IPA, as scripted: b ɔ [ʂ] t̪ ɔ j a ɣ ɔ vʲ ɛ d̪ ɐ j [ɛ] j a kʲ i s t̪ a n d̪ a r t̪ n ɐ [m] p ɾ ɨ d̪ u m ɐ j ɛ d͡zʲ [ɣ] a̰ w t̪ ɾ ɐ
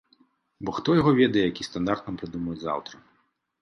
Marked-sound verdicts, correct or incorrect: incorrect, correct, correct, incorrect

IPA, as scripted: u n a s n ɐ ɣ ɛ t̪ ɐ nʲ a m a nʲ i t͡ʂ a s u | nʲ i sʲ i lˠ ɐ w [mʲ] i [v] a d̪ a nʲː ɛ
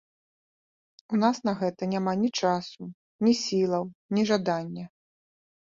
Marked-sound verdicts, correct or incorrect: incorrect, incorrect

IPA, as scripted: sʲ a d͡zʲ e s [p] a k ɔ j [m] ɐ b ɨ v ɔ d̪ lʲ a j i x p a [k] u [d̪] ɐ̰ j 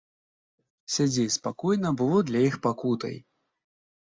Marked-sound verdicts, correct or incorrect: correct, incorrect, correct, incorrect

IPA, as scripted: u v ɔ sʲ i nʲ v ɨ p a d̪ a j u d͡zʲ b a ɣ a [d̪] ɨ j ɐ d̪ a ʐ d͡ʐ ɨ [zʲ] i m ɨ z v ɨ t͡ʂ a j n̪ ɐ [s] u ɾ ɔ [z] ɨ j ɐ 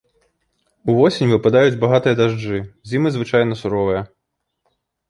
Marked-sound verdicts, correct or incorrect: incorrect, correct, correct, incorrect

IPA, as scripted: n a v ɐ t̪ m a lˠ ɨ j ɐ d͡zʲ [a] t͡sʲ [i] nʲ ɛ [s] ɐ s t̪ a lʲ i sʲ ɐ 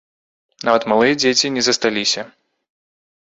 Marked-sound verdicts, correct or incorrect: incorrect, correct, incorrect

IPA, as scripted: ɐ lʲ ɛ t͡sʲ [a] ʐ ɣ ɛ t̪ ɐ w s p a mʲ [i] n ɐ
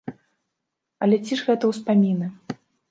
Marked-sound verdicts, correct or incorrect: incorrect, correct

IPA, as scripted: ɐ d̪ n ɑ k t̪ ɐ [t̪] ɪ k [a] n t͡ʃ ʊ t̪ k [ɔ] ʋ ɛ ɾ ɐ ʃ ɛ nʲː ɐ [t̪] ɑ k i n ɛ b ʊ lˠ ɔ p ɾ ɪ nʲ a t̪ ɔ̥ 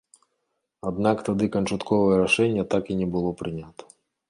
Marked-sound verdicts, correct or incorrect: incorrect, incorrect, correct, correct

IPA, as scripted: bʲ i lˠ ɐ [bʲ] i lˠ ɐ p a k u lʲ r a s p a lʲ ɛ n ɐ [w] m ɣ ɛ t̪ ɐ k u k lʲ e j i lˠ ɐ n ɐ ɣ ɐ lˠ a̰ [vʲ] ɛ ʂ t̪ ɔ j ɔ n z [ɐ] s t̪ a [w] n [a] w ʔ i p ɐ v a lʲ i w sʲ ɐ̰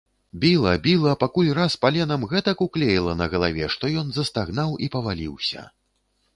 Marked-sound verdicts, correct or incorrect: correct, incorrect, correct, correct, incorrect, correct

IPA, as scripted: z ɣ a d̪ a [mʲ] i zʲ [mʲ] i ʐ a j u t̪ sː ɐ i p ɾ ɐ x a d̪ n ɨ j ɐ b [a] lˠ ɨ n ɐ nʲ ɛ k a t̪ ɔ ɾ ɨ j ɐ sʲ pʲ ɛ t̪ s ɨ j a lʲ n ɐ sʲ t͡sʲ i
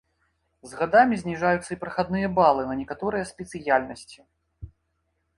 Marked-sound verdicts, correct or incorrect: correct, incorrect, correct

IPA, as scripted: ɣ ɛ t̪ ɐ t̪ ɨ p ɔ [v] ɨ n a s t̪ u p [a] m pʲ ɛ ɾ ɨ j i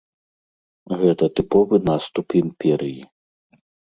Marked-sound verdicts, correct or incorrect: correct, incorrect

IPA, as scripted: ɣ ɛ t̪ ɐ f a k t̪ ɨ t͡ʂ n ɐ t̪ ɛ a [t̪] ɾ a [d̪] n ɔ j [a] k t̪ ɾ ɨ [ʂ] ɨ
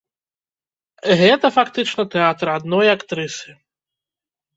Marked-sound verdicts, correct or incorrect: correct, correct, correct, incorrect

